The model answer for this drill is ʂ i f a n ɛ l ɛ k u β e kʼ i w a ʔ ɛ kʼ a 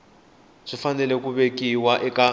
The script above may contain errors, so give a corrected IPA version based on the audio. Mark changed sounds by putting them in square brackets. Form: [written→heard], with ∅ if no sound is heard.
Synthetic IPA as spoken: ʂ i f a n ɛ l ɛ k u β e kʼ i w a ʔ ɛ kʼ a